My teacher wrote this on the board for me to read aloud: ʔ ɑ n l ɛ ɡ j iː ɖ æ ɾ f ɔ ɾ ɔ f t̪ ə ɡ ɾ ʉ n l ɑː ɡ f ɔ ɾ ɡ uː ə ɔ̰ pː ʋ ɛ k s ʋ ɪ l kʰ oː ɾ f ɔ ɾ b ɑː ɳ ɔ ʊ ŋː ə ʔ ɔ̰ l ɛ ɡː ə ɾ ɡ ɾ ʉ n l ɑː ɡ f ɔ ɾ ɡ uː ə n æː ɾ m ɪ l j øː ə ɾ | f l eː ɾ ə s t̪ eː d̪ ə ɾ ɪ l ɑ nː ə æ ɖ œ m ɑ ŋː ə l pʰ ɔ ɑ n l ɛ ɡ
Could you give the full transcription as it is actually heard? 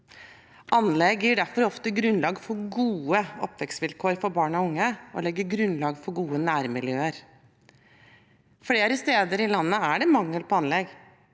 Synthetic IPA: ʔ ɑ n l ɛ ɡ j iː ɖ æ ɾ f ɔ ɾ ɔ f t̪ ə ɡ ɾ ʉ n l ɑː ɡ f ɔ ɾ ɡ uː ə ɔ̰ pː ʋ ɛ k s ʋ ɪ l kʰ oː ɾ f ɔ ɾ b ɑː ɳ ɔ ʊ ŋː ə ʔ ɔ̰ l ɛ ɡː ə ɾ ɡ ɾ ʉ n l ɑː ɡ f ɔ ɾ ɡ uː ə n æː ɾ m ɪ l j øː ə ɾ | f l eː ɾ ə s t̪ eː d̪ ə ɾ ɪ l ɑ nː ə æ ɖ ɛ m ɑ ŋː ə l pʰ ɔ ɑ n l ɛ ɡ